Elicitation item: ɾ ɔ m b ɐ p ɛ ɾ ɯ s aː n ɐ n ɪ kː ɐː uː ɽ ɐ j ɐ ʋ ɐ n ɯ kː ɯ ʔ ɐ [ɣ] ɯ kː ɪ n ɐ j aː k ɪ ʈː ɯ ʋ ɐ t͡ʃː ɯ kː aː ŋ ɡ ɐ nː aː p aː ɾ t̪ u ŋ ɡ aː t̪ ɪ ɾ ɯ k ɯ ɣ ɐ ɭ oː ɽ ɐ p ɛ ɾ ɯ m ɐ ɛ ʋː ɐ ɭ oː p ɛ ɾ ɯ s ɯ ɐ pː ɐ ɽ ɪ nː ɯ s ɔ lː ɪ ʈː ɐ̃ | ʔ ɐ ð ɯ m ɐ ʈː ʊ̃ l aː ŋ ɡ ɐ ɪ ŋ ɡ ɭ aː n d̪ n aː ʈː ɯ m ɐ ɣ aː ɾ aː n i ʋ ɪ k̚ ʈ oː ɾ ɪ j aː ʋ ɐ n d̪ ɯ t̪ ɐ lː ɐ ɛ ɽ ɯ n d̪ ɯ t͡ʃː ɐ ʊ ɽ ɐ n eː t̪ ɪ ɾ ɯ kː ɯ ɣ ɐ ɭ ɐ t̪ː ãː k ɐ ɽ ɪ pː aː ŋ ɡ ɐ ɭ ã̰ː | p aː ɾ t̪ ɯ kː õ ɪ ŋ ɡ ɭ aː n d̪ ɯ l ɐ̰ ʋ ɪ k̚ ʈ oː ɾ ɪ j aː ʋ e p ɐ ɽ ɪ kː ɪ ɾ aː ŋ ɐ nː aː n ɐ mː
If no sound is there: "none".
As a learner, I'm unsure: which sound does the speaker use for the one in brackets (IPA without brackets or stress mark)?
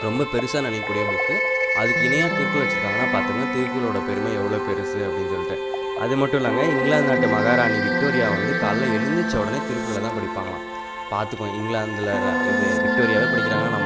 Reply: ð